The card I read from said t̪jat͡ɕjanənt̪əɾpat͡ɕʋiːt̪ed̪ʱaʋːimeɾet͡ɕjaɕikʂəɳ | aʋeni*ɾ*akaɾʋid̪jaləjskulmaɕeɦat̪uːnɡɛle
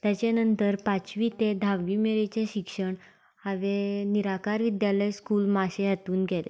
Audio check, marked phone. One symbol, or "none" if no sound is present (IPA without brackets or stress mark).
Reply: ɾ